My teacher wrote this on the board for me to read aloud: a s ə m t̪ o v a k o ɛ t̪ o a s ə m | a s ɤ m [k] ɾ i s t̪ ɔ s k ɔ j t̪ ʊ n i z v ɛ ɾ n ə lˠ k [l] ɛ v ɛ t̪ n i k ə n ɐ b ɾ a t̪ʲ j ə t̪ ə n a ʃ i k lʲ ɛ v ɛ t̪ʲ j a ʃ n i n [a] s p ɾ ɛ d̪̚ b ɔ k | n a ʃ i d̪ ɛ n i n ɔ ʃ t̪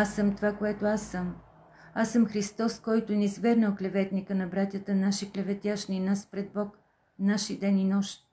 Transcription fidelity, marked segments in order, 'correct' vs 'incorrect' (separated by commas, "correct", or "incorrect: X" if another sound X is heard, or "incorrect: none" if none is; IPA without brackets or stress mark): incorrect: x, correct, correct